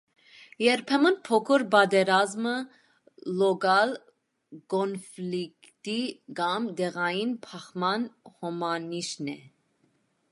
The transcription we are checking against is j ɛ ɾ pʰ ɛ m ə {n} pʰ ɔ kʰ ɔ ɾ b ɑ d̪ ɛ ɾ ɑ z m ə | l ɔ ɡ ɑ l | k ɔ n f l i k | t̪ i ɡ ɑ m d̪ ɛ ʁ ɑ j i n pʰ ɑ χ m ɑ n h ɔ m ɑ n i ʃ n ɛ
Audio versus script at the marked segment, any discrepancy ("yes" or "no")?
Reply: no